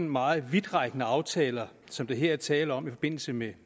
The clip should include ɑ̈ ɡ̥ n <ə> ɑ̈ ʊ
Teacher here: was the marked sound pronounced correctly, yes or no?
yes